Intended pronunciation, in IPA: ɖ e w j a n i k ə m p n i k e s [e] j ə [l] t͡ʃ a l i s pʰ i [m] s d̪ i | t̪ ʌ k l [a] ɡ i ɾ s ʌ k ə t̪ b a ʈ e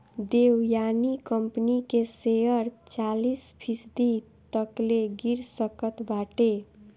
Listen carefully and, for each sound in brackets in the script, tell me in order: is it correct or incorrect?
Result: correct, incorrect: ɾ, incorrect: none, incorrect: e

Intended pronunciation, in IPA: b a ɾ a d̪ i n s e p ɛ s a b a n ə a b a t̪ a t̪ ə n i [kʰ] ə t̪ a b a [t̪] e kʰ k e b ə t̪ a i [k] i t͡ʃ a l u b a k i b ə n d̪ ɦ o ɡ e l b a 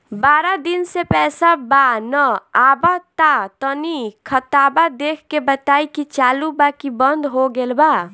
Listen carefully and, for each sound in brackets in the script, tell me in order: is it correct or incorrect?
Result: correct, incorrect: d̪, correct

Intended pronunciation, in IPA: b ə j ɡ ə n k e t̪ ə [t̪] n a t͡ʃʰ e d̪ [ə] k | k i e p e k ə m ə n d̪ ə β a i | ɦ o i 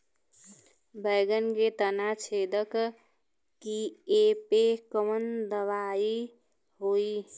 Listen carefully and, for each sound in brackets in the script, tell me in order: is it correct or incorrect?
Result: incorrect: none, correct

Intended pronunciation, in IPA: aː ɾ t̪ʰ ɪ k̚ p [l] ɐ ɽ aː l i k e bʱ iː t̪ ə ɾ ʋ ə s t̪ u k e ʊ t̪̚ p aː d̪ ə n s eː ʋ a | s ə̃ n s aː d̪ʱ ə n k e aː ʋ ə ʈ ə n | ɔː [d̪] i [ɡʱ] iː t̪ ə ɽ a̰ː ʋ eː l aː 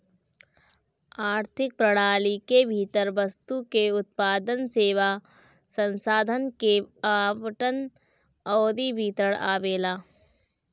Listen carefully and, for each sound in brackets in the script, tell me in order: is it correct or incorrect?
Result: incorrect: ɾ, correct, incorrect: bʱ

